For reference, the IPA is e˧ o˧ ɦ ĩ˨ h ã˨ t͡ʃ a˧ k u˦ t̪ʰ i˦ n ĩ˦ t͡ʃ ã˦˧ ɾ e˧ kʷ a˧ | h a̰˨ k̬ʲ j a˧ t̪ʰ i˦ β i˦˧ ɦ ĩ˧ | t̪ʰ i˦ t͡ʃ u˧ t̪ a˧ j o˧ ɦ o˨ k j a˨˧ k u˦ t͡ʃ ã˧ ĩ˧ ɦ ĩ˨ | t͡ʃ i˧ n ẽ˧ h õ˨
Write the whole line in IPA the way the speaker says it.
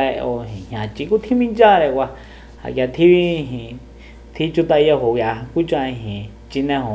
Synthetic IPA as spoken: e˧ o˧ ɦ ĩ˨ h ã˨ t͡ʃ i˧ k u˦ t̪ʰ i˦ m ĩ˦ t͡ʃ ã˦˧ ɾ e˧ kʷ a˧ | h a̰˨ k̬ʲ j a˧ t̪ʰ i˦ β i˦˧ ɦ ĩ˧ | t̪ʰ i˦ t͡ʃ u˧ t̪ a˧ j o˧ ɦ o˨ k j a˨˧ k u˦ t͡ʃ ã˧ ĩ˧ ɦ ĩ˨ | t͡ʃ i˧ n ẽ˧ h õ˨